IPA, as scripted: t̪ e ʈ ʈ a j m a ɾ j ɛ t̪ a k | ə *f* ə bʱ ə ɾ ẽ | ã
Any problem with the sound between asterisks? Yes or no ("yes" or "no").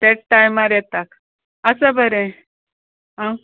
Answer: yes